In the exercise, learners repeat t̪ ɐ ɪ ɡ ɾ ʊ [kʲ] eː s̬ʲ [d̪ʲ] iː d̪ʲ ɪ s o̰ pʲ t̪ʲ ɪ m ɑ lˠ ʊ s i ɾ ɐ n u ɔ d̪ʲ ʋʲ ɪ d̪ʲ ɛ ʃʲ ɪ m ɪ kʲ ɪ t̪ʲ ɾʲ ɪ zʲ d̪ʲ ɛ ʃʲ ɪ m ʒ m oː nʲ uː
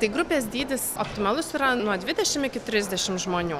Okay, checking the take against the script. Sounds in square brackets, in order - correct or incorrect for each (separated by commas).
incorrect, correct